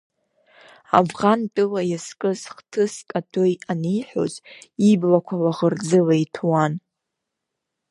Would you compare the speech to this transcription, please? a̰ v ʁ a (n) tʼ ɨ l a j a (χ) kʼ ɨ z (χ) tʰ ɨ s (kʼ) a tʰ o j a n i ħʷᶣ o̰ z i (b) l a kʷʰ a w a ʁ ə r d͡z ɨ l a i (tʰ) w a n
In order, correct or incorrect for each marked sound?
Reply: correct, incorrect, correct, correct, correct, correct

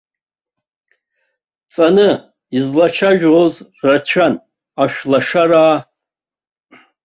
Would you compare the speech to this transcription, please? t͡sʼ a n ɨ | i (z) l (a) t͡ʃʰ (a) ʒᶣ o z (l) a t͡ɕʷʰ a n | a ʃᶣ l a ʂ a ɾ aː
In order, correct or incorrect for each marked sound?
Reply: correct, correct, correct, incorrect

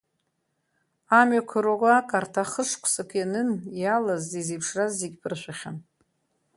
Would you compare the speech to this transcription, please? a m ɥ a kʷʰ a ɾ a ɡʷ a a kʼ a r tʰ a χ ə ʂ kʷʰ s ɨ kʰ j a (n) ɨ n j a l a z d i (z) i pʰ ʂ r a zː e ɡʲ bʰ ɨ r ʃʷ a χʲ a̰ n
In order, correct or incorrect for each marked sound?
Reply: correct, correct

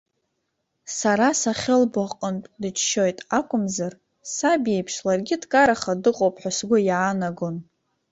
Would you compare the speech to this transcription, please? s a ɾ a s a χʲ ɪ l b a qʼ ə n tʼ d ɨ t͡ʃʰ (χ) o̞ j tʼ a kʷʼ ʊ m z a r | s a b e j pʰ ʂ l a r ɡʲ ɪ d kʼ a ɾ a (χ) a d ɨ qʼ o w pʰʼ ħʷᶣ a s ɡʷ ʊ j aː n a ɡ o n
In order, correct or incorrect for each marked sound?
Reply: incorrect, correct

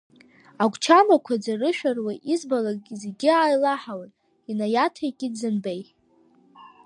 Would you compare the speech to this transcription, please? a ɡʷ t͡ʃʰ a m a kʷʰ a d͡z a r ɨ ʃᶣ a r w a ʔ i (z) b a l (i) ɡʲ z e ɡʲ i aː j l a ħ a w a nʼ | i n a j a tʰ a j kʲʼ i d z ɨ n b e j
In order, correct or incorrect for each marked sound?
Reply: correct, incorrect

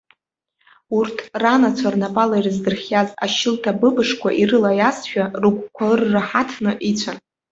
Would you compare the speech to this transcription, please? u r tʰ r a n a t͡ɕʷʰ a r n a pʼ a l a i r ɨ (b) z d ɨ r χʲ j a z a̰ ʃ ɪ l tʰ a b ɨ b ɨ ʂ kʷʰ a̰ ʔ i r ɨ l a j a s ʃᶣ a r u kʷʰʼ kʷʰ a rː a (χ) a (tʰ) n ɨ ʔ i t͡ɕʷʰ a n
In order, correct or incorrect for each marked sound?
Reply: incorrect, incorrect, correct

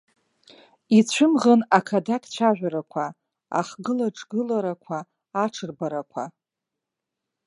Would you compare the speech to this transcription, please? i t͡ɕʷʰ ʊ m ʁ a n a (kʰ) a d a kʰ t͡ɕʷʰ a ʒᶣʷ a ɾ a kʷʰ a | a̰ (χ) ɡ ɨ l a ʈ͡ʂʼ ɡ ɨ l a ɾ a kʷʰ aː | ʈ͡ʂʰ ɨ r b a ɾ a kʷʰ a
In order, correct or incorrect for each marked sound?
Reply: correct, correct

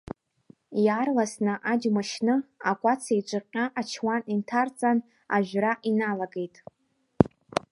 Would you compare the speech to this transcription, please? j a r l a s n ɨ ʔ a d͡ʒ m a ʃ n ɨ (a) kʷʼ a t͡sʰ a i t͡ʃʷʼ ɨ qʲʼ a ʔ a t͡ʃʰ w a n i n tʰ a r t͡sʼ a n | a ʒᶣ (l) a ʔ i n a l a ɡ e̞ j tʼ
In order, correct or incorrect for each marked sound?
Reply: correct, incorrect

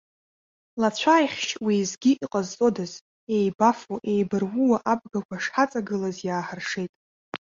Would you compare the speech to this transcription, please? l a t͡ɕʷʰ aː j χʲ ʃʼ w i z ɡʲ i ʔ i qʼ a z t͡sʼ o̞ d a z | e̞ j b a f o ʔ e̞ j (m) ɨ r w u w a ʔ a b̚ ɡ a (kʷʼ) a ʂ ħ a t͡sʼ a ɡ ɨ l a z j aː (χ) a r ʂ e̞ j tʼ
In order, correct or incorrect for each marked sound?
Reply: incorrect, incorrect, incorrect

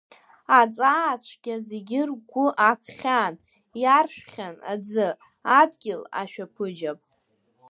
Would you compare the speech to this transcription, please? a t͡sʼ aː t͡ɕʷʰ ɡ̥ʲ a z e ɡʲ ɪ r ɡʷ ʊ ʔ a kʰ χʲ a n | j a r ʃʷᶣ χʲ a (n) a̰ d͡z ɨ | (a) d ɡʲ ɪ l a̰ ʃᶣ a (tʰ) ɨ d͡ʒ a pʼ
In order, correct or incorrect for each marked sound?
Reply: correct, correct, incorrect

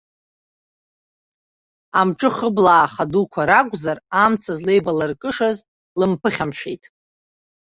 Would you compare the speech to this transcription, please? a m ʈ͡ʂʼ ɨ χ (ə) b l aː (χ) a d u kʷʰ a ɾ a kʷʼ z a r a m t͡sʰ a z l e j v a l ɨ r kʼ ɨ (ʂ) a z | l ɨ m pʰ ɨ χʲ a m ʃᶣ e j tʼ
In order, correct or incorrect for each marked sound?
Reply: correct, correct, correct

